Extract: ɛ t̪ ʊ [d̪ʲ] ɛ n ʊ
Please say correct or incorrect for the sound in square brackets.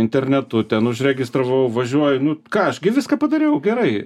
incorrect